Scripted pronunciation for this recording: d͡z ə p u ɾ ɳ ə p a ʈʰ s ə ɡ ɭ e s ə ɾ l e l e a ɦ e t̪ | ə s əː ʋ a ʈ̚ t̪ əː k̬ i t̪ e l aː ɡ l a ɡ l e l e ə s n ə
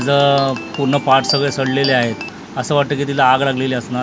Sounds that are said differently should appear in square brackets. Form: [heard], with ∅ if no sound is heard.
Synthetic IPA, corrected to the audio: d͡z ə p u ɾ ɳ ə p a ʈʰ s ə ɡ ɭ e s ə [ɽ] l e l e a ɦ e t̪ | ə s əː ʋ a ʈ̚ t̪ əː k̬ i t̪ [i] l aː ɡ l a ɡ l e l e ə s n [a]